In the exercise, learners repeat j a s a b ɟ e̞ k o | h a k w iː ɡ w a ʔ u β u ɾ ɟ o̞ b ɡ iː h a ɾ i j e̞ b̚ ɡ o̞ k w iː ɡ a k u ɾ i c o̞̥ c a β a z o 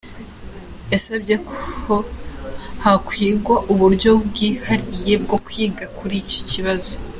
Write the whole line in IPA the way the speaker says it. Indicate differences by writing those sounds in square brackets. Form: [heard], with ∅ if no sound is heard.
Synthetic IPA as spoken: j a s a b ɟ e̞ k o | h a k w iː ɡ w a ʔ u β u ɾ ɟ o̞ b ɡ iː h a ɾ i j e̞ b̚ ɡ o̞ k w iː ɡ a k u ɾ i c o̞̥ c [i] β a z o